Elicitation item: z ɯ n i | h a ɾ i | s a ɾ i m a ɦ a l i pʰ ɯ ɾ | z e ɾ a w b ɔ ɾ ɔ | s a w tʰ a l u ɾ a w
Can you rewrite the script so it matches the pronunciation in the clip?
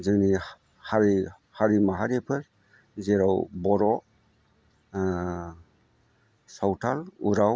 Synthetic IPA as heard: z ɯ n i | h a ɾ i | h a ɾ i m a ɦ a ɾ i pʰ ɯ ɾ | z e ɾ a w b ɔ ɾ ɔ | s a w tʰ a l u ɾ a w